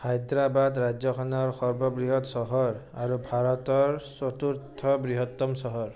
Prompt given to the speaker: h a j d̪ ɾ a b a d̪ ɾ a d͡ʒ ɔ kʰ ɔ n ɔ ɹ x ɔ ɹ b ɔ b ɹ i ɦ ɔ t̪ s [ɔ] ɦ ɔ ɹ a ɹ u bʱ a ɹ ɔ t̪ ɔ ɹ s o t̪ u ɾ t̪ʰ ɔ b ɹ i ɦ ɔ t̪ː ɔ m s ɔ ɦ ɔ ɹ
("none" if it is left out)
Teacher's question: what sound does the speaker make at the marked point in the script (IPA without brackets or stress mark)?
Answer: ɔ